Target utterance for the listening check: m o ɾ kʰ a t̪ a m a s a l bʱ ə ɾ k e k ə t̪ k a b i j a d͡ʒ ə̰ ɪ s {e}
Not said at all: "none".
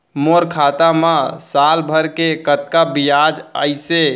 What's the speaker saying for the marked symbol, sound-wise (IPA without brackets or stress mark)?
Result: e